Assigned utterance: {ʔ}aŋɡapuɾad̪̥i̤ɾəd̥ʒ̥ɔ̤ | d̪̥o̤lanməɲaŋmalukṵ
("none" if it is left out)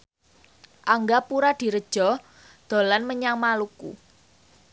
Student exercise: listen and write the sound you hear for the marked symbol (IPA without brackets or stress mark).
ʔ